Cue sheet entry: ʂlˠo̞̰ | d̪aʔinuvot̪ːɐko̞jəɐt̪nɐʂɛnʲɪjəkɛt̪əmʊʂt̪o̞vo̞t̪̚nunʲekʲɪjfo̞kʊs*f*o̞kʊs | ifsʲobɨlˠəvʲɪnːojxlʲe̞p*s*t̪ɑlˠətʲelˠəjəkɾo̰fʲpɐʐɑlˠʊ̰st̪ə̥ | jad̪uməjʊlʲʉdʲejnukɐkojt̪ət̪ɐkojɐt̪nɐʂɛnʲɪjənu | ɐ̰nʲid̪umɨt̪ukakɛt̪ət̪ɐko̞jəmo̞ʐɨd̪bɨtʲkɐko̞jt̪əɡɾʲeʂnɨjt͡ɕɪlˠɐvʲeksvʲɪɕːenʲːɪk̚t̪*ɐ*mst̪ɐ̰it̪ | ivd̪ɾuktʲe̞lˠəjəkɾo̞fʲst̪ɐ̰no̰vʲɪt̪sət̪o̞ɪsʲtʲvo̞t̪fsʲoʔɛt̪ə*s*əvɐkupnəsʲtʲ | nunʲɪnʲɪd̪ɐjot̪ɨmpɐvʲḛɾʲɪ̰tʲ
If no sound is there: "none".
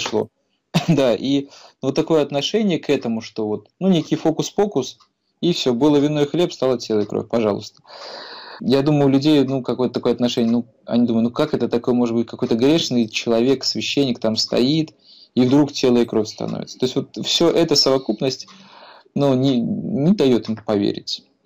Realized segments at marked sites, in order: f, s, a, s

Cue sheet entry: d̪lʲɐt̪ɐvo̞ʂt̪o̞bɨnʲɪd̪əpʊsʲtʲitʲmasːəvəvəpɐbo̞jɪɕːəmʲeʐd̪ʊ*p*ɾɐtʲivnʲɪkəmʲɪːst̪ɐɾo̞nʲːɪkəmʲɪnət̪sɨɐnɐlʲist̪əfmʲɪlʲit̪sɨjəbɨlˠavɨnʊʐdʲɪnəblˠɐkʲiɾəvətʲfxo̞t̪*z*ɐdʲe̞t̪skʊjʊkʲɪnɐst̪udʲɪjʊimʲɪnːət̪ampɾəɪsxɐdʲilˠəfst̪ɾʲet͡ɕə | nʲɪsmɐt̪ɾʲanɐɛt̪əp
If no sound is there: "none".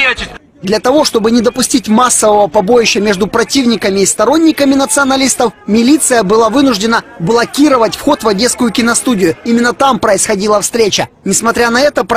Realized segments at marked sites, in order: p, v

